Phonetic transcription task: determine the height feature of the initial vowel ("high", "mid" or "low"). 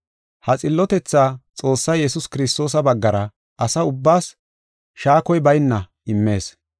low